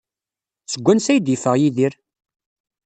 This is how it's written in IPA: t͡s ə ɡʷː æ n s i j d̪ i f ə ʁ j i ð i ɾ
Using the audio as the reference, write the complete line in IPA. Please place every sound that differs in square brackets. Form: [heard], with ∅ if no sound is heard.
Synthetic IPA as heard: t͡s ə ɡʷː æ n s [æ] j d̪ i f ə ʁ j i ð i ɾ

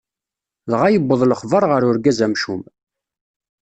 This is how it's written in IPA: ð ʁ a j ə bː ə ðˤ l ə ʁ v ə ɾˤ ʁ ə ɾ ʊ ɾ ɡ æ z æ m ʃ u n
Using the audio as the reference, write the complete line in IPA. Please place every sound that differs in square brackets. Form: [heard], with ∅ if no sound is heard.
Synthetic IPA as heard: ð ʁ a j ə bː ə ðˤ l ə [χ] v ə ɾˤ ʁ ə ɾ ʊ ɾ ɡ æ z æ m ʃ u [m]

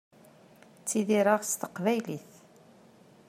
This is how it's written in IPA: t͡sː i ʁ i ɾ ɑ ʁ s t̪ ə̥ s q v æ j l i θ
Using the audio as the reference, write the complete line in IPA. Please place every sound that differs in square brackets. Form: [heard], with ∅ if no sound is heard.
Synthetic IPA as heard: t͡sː i [ð] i ɾ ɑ ʁ s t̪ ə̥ [∅] q v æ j l i θ

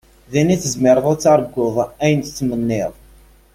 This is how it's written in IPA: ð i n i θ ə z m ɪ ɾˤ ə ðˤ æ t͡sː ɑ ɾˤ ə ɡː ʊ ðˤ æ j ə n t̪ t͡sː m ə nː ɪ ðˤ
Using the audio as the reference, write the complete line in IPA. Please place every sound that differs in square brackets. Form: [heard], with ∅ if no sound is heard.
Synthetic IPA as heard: ð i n i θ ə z m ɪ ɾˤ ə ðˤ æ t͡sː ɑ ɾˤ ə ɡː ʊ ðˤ æ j ə n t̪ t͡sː m ə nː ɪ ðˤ

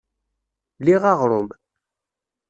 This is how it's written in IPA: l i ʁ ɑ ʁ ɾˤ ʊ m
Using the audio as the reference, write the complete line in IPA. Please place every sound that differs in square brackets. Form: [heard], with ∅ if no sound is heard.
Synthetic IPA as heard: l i ʁ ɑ ʁ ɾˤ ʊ m

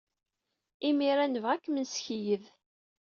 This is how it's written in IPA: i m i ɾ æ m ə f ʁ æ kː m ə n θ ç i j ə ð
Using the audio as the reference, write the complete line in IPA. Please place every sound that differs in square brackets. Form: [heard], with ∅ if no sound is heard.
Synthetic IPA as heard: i m i ɾ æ [n] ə [v] ʁ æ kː m ə n [s] ç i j ə ð

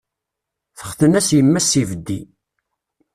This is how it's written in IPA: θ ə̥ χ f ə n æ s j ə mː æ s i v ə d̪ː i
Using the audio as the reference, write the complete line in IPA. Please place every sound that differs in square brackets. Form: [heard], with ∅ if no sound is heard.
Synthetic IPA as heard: θ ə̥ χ [θ] ə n æ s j ə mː æ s i v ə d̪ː i

